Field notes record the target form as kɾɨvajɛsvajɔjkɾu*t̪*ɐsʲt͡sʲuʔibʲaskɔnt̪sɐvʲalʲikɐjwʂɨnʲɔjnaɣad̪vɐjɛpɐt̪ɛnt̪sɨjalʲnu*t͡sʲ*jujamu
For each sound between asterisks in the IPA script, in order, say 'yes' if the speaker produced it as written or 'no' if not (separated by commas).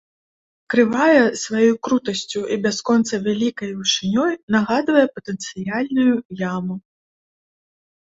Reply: yes, no